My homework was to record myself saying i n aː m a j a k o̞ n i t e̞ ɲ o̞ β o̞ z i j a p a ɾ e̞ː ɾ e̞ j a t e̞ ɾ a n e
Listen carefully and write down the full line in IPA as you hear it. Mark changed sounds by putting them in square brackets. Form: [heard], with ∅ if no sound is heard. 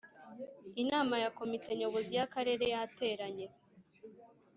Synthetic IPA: i n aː m a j a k o̞ [m] i t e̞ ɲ o̞ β o̞ z i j a [k] a ɾ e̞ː ɾ e̞ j a t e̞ ɾ a [ɲ] e